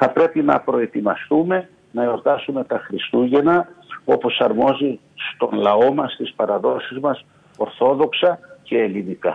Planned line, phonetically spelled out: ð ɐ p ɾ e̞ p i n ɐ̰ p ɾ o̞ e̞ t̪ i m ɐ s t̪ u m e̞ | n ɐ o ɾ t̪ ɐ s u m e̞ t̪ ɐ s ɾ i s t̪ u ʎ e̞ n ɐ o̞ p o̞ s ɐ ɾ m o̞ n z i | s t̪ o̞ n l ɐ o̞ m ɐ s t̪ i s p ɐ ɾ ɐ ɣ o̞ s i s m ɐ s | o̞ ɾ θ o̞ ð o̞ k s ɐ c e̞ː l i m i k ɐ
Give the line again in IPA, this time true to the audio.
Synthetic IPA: θ ɐ p ɾ e̞ p i n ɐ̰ p ɾ o̞ e̞ t̪ i m ɐ s t̪ u m e̞ | n ɐ o ɾ t̪ ɐ s u m e̞ t̪ ɐ x ɾ i s t̪ u ʝ e̞ n ɐ o̞ p o̞ s ɐ ɾ m o̞ z i | s t̪ o̞ n l ɐ o̞ m ɐ s t̪ i s p ɐ ɾ ɐ ð o̞ s i z m ɐ s | o̞ ɾ θ o̞ ð o̞ k s ɐ c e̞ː l i n i k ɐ